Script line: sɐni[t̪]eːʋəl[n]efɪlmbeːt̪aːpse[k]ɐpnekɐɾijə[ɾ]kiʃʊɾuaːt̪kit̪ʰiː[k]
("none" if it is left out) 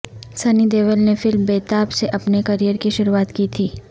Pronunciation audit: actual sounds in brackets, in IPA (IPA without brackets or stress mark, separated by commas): d̪, n, ʔ, ɾ, none